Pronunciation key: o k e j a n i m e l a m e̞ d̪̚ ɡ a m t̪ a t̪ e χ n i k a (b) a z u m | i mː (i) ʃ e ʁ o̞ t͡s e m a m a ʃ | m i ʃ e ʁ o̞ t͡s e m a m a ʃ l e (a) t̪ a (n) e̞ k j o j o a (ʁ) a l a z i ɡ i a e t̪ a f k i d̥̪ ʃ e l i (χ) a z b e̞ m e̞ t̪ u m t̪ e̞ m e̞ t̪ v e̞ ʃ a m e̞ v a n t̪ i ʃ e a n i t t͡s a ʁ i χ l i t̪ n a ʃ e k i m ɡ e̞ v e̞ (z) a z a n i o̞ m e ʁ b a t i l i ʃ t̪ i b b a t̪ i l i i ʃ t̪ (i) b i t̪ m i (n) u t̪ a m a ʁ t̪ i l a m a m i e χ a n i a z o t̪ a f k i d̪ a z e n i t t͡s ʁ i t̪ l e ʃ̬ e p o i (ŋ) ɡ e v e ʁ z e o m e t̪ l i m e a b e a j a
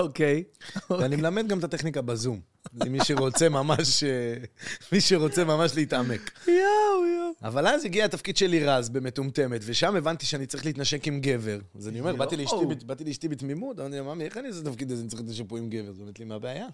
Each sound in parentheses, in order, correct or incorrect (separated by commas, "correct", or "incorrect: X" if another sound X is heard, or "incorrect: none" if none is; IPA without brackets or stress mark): correct, correct, incorrect: i, incorrect: m, incorrect: v, incorrect: ʁ, incorrect: ʁ, correct, incorrect: m, incorrect: m